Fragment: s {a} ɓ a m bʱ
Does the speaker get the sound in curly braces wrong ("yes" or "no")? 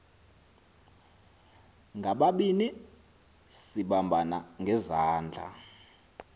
yes